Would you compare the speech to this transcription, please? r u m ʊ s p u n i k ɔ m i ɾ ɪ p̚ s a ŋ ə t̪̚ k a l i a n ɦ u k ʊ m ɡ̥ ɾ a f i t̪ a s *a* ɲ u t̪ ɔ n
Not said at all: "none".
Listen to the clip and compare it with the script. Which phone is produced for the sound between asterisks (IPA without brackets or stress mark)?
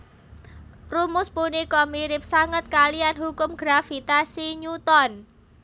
i